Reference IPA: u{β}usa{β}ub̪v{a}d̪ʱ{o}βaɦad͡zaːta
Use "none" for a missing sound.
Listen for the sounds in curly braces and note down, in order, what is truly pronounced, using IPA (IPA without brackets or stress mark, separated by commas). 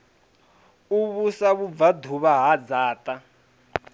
β, β, a, u